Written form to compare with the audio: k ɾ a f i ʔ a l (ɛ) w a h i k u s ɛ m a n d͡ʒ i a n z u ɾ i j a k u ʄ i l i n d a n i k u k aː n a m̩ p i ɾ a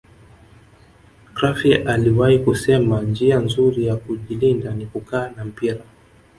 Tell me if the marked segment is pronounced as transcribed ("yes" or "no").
no